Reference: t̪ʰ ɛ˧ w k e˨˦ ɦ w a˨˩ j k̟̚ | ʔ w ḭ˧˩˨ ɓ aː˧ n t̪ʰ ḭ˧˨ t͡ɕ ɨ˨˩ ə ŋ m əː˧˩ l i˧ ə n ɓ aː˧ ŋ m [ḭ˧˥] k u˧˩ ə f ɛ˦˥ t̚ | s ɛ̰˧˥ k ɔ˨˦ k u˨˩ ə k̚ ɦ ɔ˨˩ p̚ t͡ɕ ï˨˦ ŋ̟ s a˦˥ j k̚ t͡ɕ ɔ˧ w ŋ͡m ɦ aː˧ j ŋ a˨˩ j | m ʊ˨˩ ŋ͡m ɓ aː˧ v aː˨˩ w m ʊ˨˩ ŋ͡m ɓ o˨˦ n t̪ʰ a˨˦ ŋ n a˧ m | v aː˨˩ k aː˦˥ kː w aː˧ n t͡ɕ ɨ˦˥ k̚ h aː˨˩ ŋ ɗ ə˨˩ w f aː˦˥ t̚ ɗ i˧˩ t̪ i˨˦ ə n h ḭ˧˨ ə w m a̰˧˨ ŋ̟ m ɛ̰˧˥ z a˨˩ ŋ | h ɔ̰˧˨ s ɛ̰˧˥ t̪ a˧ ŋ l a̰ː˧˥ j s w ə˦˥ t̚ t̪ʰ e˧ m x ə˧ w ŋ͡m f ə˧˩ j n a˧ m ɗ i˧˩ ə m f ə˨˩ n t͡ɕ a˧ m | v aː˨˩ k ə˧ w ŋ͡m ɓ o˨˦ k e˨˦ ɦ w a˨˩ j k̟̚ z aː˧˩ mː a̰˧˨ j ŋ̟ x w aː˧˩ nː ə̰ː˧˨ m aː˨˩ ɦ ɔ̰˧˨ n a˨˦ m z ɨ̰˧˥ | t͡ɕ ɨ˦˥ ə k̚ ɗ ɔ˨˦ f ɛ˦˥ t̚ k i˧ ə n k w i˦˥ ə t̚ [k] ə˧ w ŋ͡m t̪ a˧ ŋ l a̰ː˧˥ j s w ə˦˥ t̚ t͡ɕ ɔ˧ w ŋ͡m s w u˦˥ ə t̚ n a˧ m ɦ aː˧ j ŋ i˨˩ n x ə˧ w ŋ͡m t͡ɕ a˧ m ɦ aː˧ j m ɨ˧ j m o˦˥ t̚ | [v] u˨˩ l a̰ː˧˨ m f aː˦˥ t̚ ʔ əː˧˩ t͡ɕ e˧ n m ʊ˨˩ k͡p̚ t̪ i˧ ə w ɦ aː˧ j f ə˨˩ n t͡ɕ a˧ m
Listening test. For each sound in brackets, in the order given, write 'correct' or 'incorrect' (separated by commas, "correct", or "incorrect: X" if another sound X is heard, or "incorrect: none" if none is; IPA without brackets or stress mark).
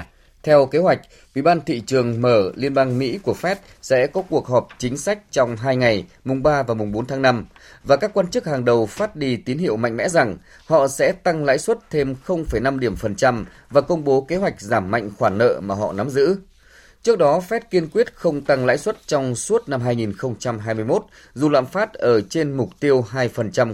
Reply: correct, incorrect: x, incorrect: z